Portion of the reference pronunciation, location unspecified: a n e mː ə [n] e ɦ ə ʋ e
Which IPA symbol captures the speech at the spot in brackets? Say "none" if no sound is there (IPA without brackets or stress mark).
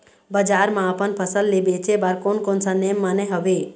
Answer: n